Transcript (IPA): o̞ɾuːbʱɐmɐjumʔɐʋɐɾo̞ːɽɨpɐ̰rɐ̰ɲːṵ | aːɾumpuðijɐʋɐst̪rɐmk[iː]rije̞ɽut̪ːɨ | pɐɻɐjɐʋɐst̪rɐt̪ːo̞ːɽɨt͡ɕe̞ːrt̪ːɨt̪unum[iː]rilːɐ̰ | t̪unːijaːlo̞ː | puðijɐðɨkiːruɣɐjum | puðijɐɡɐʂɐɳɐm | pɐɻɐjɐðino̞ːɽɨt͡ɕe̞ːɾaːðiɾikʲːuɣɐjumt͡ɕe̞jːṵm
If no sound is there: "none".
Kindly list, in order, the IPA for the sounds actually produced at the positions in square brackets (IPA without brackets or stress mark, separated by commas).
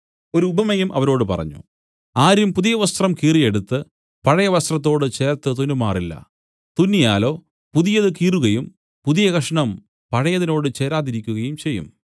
iː, aː